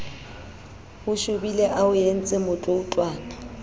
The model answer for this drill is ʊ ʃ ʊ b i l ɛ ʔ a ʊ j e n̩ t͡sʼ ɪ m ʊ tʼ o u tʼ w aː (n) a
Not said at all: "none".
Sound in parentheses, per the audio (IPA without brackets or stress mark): n